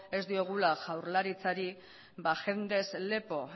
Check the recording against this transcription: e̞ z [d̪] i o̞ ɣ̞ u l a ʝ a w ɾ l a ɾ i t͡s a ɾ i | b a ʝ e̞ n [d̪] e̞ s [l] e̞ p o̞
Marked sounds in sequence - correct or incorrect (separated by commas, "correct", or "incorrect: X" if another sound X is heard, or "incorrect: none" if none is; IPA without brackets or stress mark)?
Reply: correct, correct, correct